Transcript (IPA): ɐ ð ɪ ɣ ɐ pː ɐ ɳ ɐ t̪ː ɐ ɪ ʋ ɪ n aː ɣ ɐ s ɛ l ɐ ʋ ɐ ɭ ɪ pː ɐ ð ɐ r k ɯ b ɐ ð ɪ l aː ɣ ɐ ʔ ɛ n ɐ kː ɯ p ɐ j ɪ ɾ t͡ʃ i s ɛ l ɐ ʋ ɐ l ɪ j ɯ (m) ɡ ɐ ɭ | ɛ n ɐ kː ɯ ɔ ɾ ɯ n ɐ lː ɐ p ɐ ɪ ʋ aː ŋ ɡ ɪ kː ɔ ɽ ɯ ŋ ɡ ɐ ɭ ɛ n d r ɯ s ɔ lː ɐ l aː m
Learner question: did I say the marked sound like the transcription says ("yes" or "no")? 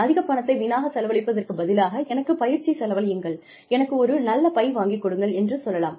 no